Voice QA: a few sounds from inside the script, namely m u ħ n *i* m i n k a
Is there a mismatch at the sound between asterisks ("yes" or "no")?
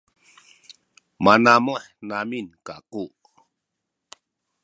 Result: yes